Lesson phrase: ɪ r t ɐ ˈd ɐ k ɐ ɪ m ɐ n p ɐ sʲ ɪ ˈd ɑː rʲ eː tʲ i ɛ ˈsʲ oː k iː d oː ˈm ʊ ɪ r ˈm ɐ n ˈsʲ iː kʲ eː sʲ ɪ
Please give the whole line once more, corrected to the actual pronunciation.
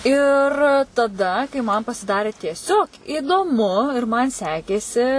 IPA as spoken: ɪ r t ɐ ˈd ɐ k ɐ ɪ m ɐ n p ɐ sʲ ɪ ˈd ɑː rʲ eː tʲ i ɛ ˈsʲ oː k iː d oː ˈm ʊ ɪ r ˈm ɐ n ˈsʲ æː kʲ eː sʲ ɪ